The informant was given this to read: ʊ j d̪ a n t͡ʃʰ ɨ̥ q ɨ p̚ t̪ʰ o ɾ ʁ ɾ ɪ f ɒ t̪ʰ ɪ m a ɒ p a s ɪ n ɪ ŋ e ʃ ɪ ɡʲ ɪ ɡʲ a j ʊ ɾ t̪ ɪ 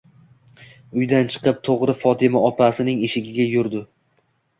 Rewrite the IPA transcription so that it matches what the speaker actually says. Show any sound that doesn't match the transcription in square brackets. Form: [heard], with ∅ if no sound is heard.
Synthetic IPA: ʊ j d̪ a n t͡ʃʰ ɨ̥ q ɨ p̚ t̪ʰ o [∅] ʁ ɾ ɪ f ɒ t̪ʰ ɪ m a ɒ p a s ɪ n ɪ ŋ e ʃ ɪ ɡʲ ɪ ɡʲ a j ʊ ɾ [d̪] ɪ